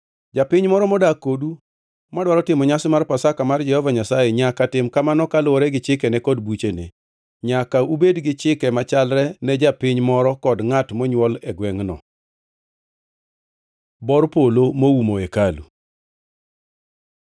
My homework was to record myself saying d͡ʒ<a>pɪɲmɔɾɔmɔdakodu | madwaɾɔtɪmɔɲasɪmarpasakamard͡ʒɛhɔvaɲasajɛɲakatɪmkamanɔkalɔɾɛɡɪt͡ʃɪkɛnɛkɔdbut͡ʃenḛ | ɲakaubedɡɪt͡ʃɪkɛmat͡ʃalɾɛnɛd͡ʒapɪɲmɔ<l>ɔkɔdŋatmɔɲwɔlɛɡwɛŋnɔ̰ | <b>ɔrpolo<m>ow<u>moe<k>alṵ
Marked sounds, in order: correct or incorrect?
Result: correct, incorrect: ɾ, correct, correct, correct, correct

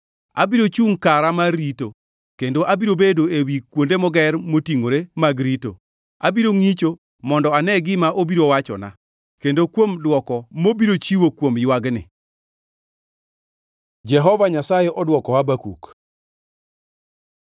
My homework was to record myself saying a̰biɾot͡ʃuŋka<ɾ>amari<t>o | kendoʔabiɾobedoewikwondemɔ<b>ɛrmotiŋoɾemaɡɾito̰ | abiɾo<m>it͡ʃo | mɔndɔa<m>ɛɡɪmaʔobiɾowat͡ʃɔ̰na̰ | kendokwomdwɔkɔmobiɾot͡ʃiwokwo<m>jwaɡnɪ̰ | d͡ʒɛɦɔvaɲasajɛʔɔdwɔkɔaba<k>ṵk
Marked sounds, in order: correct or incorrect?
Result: correct, correct, incorrect: ɡ, incorrect: ŋ, incorrect: n, correct, correct

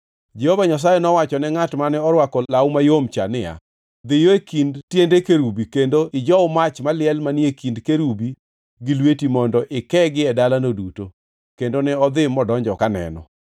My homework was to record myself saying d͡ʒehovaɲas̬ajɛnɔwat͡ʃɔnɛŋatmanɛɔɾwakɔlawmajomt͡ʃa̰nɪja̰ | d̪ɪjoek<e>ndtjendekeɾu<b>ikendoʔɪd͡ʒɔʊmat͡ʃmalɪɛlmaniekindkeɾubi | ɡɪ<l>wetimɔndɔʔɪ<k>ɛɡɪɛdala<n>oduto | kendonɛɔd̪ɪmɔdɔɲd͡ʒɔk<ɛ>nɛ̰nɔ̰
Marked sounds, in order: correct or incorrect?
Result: incorrect: i, correct, correct, correct, correct, incorrect: a

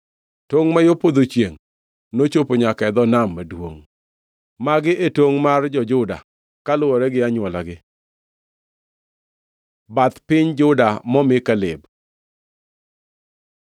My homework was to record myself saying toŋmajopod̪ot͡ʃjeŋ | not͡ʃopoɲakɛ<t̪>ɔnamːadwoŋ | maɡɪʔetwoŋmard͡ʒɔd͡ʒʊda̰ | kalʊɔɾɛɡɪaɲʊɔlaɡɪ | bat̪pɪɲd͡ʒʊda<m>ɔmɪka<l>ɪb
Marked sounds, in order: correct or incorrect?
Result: incorrect: d̪, correct, correct

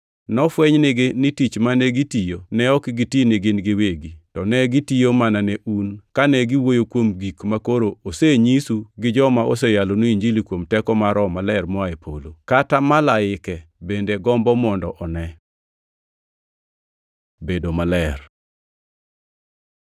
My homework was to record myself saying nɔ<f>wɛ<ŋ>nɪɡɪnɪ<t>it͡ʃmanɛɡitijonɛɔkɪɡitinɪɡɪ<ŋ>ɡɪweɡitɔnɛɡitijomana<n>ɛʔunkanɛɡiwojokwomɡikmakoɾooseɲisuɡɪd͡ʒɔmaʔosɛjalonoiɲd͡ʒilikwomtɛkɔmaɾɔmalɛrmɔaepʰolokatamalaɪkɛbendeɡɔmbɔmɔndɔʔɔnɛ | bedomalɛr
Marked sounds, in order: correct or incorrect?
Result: correct, incorrect: ɲ, correct, incorrect: n, correct

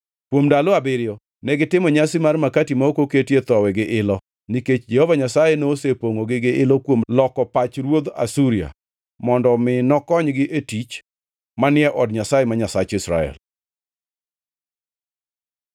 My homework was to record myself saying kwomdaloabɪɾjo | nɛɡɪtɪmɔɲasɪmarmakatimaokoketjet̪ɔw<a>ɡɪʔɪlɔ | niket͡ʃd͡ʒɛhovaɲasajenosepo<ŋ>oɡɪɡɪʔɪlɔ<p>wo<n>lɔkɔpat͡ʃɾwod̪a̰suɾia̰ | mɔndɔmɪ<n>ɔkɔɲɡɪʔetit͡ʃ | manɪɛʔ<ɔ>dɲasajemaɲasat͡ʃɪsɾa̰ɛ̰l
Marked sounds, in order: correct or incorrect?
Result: incorrect: ɛ, correct, incorrect: k, incorrect: m, correct, correct

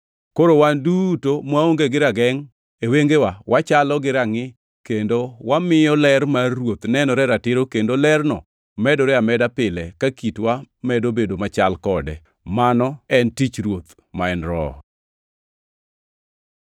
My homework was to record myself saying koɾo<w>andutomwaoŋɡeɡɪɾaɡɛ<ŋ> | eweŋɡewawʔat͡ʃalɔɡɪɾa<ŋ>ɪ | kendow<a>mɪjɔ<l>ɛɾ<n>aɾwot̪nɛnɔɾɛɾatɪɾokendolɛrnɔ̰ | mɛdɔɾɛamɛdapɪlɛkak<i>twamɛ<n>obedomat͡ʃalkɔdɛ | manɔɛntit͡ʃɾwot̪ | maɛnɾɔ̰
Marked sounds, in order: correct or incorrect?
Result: correct, correct, correct, correct, correct, incorrect: m, correct, incorrect: d

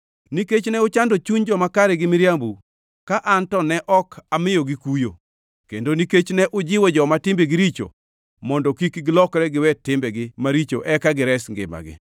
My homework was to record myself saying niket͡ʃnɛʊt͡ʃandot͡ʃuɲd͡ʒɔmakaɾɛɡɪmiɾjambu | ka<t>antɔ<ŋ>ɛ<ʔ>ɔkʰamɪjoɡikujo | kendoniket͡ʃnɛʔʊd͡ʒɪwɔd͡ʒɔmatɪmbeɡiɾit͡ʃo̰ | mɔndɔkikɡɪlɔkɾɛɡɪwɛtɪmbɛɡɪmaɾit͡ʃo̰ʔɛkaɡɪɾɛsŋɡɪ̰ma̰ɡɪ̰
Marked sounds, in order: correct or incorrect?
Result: incorrect: ʔ, incorrect: n, correct

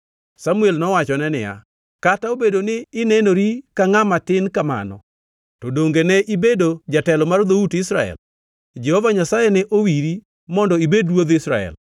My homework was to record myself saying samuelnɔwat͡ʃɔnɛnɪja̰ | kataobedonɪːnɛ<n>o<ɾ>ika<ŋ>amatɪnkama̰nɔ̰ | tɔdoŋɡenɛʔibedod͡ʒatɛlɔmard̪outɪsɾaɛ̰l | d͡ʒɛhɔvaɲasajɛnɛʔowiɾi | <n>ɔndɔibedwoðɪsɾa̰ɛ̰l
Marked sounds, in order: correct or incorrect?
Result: correct, correct, correct, incorrect: m

